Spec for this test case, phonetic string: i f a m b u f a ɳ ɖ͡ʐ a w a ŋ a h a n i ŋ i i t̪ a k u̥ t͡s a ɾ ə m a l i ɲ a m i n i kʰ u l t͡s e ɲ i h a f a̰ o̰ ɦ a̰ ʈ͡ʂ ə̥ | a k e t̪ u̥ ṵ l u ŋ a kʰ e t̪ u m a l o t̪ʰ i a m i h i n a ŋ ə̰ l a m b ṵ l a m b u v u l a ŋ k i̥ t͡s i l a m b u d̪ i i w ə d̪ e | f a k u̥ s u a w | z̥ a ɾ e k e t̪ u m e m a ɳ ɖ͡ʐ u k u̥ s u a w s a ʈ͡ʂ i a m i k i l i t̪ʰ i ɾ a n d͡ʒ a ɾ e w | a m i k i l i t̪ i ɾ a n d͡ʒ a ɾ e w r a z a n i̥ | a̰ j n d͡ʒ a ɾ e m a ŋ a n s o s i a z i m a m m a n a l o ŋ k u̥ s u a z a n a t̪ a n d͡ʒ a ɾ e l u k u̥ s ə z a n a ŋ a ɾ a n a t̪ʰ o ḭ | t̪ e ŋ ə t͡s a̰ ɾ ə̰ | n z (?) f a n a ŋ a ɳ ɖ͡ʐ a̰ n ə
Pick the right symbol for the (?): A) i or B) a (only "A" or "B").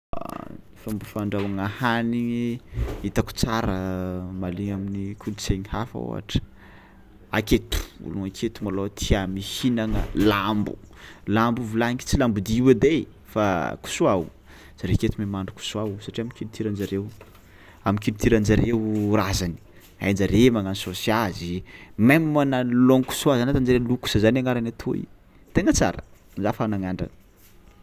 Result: B